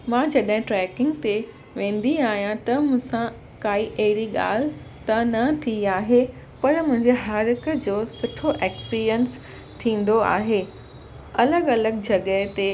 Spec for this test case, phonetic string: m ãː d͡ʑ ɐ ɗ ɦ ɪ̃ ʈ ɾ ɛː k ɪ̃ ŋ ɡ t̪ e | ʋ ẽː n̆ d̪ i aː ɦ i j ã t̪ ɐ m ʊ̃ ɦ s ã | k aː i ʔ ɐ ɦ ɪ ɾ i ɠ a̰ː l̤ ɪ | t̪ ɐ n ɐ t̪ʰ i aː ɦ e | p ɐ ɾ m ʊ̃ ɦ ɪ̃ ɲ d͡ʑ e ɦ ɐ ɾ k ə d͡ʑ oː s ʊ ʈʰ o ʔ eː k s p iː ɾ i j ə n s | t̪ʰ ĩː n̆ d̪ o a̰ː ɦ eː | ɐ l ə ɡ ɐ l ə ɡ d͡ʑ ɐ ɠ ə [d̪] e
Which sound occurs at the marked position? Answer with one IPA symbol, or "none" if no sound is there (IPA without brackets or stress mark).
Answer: t̪